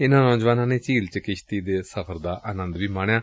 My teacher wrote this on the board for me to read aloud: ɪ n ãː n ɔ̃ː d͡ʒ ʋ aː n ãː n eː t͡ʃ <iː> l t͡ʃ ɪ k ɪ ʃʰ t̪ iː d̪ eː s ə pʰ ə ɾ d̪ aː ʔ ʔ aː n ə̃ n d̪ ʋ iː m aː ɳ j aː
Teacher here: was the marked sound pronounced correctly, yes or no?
yes